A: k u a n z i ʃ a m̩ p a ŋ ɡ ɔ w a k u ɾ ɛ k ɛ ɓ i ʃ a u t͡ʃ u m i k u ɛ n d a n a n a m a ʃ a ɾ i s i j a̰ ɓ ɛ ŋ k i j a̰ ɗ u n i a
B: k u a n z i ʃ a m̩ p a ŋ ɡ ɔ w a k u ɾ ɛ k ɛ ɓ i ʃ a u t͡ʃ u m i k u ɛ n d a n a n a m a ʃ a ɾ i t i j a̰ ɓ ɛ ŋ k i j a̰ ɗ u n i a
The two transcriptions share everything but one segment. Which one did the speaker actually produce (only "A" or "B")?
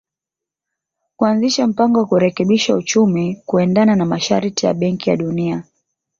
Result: B